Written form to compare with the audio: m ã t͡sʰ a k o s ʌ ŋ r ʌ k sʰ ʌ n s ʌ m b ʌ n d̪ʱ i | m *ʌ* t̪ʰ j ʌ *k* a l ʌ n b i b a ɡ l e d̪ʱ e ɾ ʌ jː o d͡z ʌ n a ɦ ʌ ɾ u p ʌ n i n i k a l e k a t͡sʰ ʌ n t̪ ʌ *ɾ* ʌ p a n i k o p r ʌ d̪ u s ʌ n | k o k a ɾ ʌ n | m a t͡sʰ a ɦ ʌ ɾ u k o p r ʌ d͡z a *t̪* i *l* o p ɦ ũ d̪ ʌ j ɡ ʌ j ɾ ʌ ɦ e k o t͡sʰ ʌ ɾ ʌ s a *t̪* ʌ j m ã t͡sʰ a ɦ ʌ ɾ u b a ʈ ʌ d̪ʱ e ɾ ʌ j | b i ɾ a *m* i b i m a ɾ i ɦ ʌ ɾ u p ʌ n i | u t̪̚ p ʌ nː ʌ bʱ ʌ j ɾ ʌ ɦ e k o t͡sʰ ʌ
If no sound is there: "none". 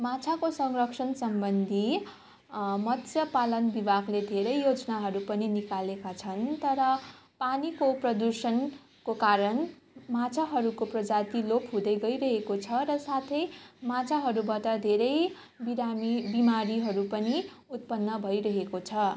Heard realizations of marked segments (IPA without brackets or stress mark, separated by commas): ʌ, p, ɾ, t̪, l, t̪ʰ, m